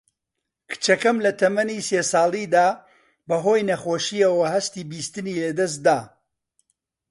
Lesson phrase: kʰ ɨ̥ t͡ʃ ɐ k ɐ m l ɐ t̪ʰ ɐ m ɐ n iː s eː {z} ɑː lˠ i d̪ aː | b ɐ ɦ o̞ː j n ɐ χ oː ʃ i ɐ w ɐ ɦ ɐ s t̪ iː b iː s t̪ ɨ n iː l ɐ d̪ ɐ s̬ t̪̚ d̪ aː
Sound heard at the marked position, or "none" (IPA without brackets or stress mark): s